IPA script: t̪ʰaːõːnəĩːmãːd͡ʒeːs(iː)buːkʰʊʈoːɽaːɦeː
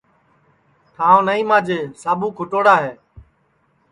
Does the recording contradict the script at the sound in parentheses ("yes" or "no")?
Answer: yes